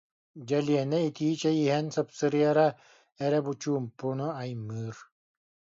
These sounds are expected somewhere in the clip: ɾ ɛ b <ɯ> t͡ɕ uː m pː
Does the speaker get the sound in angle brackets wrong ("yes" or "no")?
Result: yes